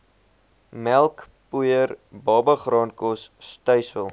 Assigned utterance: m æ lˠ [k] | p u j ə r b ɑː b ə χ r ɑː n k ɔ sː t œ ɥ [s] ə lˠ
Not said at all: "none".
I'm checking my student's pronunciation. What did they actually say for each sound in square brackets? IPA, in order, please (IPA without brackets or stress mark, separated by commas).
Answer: k, s